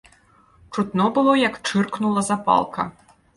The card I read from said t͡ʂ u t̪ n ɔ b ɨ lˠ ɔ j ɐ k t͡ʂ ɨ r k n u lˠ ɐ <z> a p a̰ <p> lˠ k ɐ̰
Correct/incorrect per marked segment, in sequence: correct, incorrect

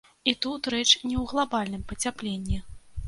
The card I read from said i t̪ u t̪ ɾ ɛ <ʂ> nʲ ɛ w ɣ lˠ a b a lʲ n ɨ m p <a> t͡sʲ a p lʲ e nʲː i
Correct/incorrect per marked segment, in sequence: incorrect, incorrect

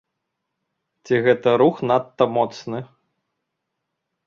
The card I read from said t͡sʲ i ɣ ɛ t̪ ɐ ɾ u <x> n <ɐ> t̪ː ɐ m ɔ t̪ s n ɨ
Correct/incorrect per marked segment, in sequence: correct, incorrect

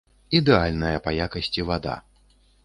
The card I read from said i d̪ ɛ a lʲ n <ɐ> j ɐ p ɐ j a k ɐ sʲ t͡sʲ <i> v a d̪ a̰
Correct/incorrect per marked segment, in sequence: correct, correct

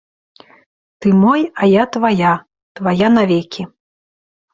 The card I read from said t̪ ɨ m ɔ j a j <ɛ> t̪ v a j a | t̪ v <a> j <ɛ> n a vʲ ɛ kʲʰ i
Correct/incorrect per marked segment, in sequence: incorrect, correct, incorrect

